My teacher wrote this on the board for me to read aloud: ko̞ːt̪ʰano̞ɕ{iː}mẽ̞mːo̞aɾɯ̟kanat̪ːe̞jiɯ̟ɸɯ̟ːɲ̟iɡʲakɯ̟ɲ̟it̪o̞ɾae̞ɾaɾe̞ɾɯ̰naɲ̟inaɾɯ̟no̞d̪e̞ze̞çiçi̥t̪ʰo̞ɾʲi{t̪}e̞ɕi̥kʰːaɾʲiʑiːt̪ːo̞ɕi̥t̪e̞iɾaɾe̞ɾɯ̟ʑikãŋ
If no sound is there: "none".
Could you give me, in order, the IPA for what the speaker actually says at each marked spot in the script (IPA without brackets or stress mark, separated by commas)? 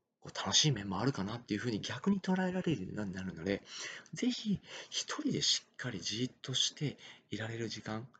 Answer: iː, d̪